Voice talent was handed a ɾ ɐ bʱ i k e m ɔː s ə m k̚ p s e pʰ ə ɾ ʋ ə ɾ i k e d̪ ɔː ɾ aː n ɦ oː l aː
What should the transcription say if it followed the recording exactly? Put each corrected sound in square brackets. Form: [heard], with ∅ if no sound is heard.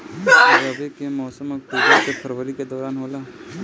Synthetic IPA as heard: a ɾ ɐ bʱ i k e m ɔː s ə m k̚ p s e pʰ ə ɾ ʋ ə ɾ i k e d̪ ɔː ɾ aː n ɦ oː l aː